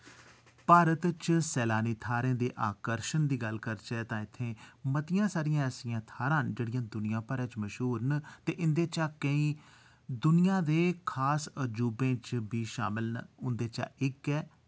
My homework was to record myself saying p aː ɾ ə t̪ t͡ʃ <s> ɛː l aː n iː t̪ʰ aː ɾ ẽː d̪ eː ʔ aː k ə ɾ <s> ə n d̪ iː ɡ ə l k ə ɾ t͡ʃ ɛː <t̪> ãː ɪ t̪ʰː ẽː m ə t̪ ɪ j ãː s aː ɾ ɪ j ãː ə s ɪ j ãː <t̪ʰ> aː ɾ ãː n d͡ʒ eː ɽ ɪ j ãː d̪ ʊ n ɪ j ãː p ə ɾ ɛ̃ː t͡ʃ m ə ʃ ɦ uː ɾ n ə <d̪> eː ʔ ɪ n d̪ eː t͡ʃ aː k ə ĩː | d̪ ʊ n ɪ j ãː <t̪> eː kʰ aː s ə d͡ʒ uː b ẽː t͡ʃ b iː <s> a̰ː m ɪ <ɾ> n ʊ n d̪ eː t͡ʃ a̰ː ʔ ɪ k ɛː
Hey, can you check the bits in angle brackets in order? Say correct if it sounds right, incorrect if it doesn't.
correct, incorrect, correct, correct, incorrect, incorrect, incorrect, incorrect

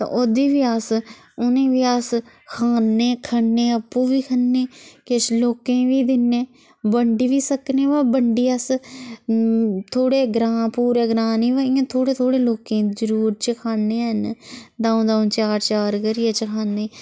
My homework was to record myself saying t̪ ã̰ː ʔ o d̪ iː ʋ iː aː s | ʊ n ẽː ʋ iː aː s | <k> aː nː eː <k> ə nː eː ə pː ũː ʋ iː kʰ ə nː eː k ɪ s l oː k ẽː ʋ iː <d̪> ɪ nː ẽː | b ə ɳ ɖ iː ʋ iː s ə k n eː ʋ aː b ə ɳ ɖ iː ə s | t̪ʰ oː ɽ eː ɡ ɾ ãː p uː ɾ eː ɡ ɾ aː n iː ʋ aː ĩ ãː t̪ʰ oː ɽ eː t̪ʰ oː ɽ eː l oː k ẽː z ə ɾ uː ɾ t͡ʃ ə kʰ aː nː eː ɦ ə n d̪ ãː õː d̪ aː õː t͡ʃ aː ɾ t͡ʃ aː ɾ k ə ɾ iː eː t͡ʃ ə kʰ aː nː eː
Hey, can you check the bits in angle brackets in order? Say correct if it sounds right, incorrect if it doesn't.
incorrect, incorrect, correct

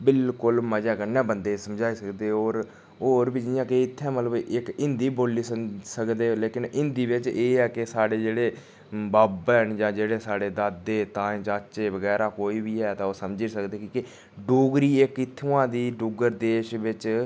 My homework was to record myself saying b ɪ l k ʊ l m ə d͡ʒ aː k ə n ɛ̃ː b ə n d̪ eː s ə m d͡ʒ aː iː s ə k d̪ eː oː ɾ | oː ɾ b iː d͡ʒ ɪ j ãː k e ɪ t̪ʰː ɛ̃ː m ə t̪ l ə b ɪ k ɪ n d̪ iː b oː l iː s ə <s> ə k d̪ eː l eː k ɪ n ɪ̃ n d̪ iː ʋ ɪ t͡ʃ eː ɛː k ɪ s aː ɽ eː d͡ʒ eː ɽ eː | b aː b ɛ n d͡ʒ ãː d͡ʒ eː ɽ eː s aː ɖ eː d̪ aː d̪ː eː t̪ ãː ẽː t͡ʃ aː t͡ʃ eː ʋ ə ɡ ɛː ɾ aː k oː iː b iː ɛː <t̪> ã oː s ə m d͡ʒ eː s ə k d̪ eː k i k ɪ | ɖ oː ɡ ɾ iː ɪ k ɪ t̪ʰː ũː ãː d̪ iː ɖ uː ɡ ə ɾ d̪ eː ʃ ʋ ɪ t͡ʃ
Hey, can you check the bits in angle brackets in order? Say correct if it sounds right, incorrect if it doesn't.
correct, correct

